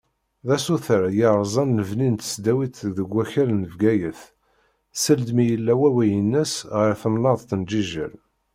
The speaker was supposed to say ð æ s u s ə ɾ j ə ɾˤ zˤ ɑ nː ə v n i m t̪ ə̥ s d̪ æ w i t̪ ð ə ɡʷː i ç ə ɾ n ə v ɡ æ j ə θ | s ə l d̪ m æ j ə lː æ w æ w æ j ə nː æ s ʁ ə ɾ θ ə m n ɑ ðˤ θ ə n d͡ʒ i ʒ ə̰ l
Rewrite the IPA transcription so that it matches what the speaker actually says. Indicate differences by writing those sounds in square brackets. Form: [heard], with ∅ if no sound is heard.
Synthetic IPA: ð æ s u [θ] ə ɾ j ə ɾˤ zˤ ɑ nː ə v n i [n] t̪ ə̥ s d̪ æ w i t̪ ð ə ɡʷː [æ] ç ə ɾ n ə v ɡ æ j ə θ | s ə l d̪ m [i] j ə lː æ w æ w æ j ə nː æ s ʁ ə ɾ θ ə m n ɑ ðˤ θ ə n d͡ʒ i ʒ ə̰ l